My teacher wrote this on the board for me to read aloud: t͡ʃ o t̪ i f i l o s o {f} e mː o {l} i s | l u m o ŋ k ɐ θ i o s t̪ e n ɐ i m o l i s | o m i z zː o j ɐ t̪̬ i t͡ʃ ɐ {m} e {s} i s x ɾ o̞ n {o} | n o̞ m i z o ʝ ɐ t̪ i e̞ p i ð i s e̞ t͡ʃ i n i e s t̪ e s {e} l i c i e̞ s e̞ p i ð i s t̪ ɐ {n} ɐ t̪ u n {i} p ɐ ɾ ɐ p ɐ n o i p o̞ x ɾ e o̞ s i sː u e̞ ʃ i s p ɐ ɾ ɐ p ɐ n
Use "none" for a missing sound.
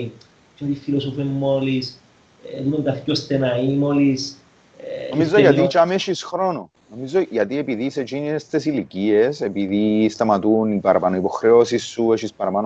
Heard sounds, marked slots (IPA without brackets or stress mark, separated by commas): f, l, m, ʃ, o, i, m, i